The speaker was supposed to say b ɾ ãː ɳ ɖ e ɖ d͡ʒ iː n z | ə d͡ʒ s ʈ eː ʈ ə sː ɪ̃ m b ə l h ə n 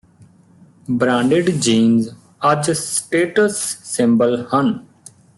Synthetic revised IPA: b ɾ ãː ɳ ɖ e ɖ d͡ʒ iː n z | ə d͡ʒ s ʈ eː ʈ ə sː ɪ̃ m b ə l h ə n